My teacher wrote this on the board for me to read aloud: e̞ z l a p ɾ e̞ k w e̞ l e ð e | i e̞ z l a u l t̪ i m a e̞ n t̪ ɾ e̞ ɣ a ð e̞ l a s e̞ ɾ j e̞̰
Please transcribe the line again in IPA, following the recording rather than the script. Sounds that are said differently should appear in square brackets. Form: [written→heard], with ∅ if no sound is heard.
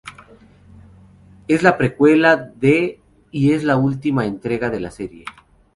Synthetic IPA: e̞ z l a p ɾ e̞ k w e̞ l [e→a] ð e | i e̞ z l a u l t̪ i m a e̞ n t̪ ɾ e̞ ɣ a ð e̞ l a s e̞ ɾ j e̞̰